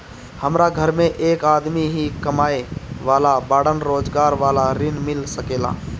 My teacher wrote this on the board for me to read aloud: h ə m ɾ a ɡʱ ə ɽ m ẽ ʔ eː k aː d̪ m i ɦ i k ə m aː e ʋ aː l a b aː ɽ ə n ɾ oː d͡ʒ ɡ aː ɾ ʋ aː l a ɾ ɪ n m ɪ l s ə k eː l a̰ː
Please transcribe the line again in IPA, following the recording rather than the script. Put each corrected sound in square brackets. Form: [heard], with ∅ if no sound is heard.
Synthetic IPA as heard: h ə m ɾ a ɡʱ ə [ɾ] m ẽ ʔ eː k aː d̪ m i ɦ i k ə m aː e ʋ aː l a b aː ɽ ə n ɾ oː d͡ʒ ɡ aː ɾ ʋ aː l a ɾ ɪ n m ɪ l s ə k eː l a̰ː

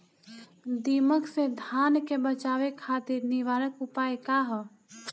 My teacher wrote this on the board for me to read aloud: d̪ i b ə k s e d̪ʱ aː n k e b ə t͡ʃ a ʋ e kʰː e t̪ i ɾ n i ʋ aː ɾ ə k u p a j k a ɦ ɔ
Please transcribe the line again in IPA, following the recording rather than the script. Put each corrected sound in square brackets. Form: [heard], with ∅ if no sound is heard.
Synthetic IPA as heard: d̪ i [m] ə k s e d̪ʱ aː n k e b ə t͡ʃ a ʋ e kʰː [a] t̪ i ɾ n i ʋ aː ɾ ə k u p a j k a ɦ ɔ

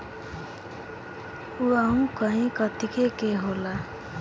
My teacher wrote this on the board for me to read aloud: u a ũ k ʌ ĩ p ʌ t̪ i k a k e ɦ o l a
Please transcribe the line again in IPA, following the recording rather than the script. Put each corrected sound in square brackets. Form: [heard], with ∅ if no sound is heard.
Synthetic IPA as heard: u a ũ k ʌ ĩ [k] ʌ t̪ i k [e] k e ɦ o l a

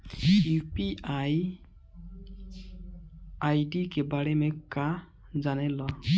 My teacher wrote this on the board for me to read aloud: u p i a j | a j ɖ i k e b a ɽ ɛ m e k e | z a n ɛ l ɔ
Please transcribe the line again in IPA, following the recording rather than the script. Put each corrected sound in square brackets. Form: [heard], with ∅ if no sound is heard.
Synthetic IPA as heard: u p i a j | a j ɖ i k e b a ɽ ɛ m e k [a] | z a n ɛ l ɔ

